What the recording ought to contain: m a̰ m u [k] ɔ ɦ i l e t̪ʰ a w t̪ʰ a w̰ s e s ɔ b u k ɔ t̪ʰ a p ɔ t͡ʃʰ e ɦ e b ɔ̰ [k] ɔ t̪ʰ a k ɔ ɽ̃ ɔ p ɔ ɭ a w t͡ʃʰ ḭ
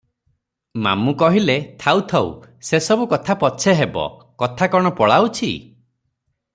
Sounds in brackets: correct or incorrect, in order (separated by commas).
correct, correct